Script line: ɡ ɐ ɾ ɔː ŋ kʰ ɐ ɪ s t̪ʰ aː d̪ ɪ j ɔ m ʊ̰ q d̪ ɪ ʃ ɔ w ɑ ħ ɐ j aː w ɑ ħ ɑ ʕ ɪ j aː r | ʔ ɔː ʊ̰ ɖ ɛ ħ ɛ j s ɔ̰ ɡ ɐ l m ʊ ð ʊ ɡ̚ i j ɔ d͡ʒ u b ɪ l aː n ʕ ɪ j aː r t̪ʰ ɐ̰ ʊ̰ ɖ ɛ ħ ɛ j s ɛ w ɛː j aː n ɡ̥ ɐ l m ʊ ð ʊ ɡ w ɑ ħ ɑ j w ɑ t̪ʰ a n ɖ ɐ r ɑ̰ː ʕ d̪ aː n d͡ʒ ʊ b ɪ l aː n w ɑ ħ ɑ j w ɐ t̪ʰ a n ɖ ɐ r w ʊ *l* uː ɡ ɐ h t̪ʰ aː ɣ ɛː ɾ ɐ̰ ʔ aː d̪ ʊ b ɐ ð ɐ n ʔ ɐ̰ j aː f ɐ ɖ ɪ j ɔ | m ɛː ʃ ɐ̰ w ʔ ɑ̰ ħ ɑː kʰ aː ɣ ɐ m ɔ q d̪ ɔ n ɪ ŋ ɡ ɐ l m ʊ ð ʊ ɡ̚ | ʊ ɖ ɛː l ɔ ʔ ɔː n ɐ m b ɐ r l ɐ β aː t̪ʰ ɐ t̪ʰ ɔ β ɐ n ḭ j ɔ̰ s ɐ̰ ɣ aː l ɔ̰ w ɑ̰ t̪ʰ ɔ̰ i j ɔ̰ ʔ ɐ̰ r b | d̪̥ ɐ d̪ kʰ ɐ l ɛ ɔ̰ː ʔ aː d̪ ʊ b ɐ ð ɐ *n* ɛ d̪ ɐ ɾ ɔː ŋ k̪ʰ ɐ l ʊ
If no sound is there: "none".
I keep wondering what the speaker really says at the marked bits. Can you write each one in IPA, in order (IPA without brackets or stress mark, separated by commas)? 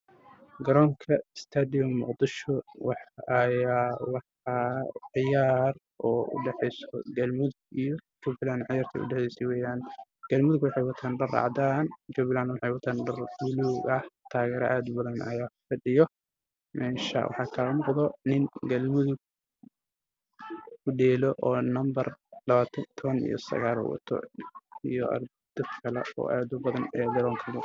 l, n